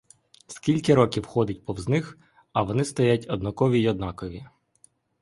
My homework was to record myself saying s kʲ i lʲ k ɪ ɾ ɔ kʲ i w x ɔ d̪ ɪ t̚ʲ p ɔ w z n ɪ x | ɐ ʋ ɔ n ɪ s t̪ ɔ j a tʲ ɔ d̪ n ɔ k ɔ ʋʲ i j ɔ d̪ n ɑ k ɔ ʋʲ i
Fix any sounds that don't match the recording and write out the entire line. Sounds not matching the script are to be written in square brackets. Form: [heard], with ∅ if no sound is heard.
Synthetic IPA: s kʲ i lʲ k ɪ ɾ ɔ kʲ i w x ɔ d̪ ɪ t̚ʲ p ɔ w z n ɪ x | ɐ ʋ ɔ n ɪ s t̪ ɔ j a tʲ ɔ d̪ n ɔ k ɔ ʋʲ i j ɔ d̪ n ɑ k ɔ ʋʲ i